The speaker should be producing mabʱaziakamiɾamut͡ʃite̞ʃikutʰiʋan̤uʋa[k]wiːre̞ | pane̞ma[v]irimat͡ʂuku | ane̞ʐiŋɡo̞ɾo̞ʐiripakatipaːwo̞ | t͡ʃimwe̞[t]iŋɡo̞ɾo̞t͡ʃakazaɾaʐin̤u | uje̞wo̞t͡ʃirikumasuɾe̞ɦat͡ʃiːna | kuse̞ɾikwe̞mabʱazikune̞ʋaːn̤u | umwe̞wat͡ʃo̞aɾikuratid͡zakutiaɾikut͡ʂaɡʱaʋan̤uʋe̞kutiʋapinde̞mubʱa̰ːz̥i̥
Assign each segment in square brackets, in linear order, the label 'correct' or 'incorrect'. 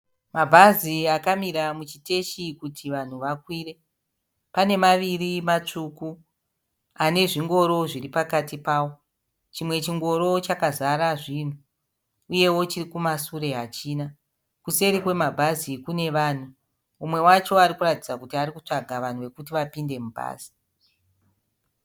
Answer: correct, incorrect, incorrect

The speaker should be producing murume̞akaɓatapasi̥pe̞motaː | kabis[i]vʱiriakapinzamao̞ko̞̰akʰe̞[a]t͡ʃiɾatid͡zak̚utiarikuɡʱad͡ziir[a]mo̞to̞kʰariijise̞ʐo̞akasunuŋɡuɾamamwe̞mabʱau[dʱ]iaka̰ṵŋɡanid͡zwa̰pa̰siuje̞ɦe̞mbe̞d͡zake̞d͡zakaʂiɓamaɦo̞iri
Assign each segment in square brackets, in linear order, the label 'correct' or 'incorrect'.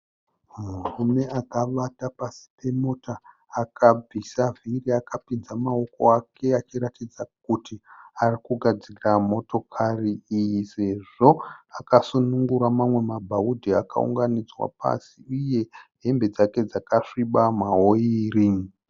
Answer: incorrect, correct, correct, correct

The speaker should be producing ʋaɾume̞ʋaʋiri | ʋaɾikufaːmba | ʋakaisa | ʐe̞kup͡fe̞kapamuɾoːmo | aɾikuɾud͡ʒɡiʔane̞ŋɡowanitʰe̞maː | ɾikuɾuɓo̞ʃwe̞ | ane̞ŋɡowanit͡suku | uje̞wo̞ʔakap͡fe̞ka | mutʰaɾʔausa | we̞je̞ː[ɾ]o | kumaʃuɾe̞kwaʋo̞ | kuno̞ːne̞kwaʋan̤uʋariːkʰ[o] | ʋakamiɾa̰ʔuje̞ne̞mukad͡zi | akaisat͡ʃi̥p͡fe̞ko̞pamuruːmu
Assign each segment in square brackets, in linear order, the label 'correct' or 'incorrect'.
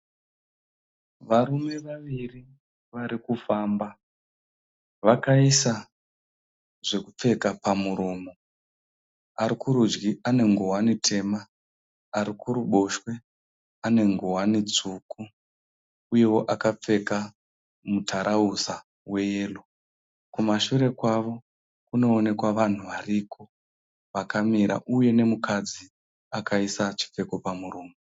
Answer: incorrect, correct

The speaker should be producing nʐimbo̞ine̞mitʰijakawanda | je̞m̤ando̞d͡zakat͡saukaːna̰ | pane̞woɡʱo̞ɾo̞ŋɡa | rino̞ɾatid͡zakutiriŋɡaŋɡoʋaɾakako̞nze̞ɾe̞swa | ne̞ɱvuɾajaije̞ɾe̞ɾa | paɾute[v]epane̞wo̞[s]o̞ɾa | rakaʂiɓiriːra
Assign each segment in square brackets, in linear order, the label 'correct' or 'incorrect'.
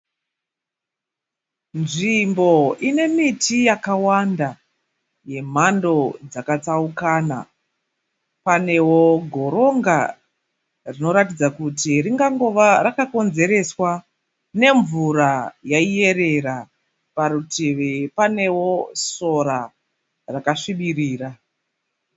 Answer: incorrect, correct

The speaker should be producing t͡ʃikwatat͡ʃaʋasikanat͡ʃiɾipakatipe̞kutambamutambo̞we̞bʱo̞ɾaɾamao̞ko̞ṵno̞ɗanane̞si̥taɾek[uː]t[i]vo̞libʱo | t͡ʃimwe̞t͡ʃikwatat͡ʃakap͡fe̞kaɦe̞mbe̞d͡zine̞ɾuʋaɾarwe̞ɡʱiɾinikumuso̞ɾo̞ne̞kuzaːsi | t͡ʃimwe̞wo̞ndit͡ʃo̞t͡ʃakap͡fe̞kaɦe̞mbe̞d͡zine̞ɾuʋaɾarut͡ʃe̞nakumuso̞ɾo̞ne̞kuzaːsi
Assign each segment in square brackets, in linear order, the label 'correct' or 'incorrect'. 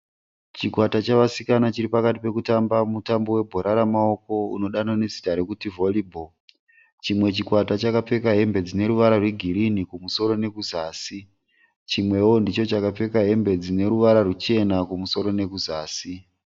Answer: incorrect, correct

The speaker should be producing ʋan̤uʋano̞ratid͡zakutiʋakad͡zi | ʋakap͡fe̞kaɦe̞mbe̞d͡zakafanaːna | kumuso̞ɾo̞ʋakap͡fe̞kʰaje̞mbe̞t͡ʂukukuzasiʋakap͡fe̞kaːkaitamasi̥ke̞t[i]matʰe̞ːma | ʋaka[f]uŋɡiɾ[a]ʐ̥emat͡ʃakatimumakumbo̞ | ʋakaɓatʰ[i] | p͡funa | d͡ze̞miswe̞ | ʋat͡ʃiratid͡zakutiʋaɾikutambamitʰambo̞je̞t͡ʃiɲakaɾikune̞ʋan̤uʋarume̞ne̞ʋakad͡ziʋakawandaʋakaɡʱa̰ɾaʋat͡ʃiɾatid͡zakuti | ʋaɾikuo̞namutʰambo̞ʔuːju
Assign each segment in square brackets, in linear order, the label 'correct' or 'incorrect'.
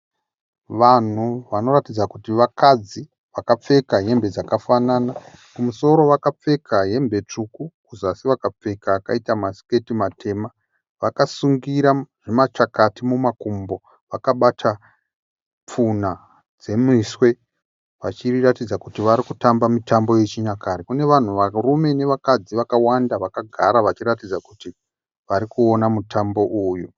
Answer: correct, incorrect, correct, incorrect

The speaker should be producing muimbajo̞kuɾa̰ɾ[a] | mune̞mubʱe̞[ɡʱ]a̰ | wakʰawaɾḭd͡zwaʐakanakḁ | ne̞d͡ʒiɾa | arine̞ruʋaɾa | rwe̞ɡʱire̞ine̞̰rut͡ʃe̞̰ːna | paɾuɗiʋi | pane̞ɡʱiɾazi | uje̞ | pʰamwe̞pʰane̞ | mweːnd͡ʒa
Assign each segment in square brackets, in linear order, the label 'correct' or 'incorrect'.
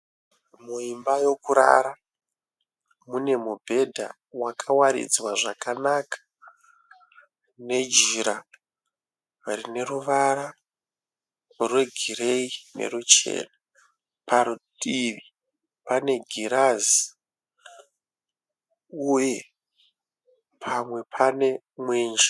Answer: correct, incorrect

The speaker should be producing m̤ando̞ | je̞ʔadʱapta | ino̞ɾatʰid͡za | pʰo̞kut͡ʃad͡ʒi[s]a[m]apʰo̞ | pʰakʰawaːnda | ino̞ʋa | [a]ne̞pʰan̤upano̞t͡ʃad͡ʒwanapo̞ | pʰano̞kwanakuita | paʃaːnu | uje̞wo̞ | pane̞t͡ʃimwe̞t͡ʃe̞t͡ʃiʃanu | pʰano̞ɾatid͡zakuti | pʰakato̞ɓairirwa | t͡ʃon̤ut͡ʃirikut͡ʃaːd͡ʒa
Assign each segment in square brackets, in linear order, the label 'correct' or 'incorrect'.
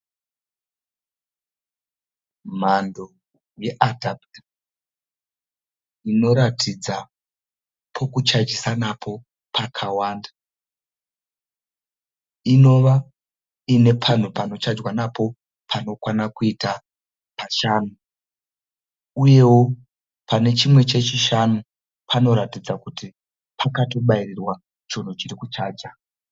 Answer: correct, incorrect, incorrect

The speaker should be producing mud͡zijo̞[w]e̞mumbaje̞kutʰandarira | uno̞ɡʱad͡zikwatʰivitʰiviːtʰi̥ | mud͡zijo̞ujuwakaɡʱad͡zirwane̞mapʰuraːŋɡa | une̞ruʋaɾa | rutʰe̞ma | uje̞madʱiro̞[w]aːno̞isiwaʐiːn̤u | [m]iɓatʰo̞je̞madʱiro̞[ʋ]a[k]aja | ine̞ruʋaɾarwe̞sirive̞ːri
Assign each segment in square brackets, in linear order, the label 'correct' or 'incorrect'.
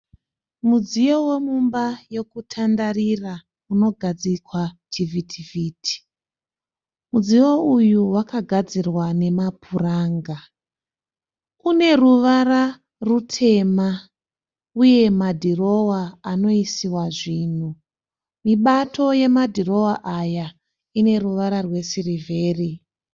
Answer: correct, correct, correct, incorrect, incorrect

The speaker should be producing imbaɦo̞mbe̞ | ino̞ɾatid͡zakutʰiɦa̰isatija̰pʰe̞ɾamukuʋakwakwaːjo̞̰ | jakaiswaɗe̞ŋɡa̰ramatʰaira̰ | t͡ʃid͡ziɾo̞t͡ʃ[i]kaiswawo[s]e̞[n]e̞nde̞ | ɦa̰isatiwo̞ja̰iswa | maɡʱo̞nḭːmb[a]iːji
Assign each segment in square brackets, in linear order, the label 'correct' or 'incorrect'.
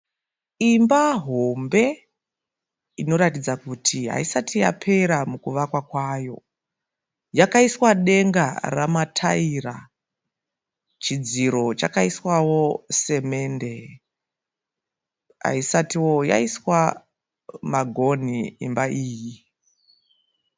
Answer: incorrect, correct, incorrect, correct

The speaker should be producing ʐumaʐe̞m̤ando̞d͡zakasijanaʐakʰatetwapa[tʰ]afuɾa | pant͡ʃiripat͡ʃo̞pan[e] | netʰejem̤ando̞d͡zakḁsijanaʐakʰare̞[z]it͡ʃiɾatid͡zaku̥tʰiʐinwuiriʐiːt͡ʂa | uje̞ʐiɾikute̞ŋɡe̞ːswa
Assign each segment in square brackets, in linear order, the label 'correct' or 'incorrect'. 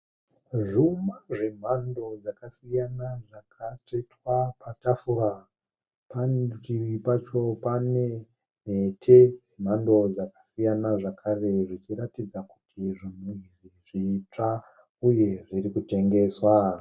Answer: incorrect, correct, incorrect

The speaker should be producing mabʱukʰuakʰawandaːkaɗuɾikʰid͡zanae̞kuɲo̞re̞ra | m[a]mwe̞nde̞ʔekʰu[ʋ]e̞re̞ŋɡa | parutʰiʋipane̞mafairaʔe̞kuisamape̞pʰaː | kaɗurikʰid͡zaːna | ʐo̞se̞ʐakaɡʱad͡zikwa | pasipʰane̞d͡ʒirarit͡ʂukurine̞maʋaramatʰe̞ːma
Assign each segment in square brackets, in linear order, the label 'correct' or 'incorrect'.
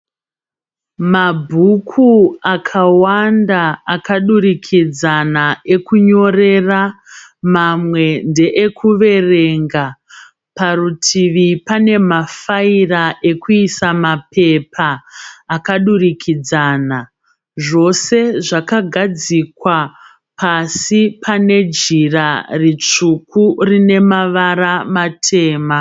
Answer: correct, correct

